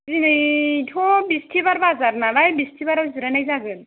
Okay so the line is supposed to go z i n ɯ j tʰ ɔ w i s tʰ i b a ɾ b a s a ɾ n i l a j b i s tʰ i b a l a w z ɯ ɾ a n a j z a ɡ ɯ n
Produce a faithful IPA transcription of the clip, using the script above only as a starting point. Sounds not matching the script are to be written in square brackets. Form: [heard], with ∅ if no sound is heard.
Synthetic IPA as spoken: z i n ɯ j tʰ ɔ [b] i s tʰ i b a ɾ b a [z] a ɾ n [a] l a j b i s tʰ i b a [ɾ] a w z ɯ ɾ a n a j z a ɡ ɯ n